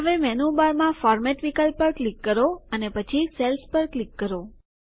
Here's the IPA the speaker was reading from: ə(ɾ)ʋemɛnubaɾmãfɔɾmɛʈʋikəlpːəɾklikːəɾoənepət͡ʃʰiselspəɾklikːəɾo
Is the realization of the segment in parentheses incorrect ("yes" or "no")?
yes